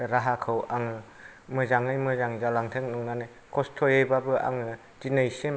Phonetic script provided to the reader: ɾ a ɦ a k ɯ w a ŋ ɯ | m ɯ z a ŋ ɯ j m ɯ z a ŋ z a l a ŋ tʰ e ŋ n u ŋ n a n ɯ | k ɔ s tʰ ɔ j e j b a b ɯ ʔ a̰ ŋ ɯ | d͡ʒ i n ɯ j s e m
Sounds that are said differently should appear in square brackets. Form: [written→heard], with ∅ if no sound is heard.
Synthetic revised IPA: ɾ a ɦ a [k→kʰ] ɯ w a ŋ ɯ | m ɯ z a ŋ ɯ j m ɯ z a ŋ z a l a ŋ tʰ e ŋ n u ŋ n a n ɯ | k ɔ s tʰ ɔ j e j b a b ɯ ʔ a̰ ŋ ɯ | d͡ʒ i n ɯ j s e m